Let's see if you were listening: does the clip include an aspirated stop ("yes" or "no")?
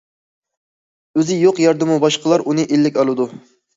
no